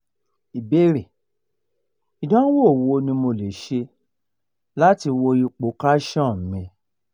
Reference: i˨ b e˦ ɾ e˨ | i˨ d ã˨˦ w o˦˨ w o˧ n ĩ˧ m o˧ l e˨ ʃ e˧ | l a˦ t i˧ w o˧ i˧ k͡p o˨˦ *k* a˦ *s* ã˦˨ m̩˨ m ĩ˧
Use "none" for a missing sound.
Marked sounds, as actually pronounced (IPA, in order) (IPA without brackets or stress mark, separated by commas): k, ʃ